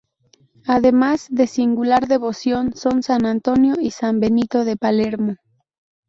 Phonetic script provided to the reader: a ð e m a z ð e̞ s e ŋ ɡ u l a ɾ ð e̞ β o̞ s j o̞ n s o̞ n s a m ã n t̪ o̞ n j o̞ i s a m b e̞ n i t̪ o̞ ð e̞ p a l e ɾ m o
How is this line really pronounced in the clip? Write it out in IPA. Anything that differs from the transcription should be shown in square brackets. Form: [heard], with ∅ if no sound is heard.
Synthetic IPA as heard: a ð e m a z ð e̞ s [i] ŋ ɡ u l a ɾ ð e̞ β o̞ s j o̞ n s o̞ n s a [n] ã n t̪ o̞ n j o̞ i s a m b e̞ n i t̪ o̞ ð e̞ p a l e ɾ m o